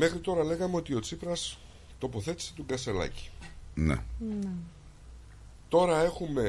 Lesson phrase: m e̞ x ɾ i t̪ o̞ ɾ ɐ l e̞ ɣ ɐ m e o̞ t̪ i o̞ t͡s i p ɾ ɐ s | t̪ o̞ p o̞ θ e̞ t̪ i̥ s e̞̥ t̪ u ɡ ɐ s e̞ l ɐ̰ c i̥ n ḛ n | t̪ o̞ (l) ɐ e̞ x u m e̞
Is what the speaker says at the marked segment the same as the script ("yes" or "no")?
no